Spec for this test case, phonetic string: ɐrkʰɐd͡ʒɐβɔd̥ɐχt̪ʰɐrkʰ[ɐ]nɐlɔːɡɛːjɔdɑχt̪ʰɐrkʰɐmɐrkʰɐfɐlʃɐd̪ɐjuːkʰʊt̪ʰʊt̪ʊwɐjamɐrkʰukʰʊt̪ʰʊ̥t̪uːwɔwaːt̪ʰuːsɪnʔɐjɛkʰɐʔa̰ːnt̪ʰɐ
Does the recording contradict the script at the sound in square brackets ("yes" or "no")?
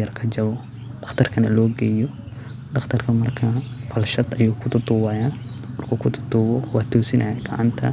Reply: no